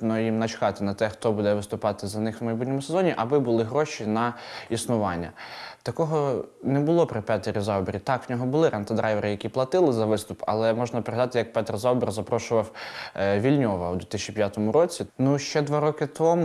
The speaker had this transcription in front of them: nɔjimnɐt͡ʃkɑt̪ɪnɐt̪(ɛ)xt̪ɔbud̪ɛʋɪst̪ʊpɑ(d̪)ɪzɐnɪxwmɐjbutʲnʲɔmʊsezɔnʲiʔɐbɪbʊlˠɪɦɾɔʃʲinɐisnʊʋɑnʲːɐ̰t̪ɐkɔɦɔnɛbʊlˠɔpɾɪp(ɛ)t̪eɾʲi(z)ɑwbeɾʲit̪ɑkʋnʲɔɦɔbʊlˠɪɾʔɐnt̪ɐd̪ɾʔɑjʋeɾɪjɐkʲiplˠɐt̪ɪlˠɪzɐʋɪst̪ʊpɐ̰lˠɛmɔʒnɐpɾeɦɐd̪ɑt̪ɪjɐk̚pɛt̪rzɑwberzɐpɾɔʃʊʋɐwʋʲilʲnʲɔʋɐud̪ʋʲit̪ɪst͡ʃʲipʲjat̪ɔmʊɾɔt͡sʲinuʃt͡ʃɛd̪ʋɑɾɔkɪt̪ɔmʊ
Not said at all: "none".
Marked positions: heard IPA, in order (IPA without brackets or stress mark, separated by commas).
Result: ɛ, t̪, ɛ, z